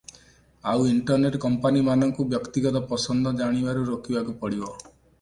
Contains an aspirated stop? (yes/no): no